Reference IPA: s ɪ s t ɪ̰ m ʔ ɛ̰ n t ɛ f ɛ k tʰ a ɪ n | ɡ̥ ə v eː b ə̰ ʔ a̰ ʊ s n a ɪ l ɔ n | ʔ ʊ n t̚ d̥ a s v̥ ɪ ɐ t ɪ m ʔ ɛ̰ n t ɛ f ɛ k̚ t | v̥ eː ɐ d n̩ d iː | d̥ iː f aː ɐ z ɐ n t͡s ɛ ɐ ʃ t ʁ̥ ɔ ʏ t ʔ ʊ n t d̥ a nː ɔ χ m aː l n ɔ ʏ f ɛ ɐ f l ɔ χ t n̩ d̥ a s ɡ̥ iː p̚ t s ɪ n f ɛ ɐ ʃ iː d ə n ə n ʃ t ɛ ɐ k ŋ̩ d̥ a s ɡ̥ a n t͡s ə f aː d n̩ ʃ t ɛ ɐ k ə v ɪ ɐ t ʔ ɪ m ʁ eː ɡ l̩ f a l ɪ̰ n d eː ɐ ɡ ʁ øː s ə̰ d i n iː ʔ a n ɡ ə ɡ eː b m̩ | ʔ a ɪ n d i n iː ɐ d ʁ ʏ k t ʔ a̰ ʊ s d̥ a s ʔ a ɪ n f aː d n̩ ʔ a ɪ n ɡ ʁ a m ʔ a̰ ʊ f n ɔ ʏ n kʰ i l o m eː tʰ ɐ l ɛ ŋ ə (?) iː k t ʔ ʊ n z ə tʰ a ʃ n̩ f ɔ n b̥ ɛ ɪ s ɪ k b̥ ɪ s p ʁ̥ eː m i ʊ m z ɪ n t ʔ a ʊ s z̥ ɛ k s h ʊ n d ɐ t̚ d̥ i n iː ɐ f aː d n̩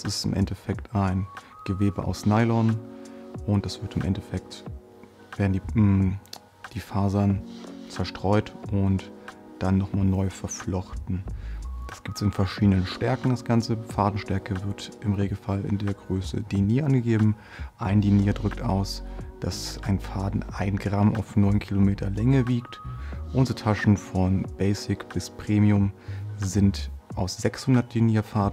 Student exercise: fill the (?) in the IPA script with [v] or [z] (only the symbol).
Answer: v